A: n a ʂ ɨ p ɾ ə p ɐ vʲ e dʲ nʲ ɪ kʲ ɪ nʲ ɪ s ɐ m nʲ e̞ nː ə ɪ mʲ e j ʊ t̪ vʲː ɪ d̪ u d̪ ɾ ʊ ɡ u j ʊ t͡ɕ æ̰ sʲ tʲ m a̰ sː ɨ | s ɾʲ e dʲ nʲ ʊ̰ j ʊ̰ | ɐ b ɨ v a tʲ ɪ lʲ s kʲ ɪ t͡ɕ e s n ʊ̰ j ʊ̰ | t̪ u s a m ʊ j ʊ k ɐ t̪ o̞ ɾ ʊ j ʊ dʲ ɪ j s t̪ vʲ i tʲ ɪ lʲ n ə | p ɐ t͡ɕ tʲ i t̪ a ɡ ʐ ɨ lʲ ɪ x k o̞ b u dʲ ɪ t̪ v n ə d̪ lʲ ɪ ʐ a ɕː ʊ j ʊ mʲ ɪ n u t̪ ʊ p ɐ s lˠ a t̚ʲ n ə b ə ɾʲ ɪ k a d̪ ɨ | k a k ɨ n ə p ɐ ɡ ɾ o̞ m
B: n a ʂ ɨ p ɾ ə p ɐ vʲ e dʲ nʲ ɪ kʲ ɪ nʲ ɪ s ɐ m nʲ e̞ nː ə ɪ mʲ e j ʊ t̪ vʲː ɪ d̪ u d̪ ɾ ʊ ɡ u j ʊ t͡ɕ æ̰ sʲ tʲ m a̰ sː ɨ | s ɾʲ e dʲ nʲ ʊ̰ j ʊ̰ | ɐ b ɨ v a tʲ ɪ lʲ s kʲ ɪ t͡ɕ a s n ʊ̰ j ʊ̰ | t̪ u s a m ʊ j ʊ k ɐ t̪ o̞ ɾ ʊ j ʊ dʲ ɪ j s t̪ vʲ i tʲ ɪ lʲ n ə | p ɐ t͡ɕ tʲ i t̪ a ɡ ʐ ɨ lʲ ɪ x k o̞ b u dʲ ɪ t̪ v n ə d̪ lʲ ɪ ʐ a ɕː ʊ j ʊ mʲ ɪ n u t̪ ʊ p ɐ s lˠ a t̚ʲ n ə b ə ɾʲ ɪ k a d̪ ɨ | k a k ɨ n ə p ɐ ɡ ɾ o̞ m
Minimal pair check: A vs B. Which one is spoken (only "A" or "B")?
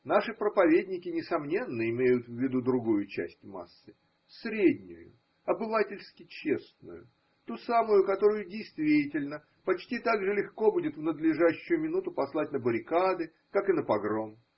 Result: A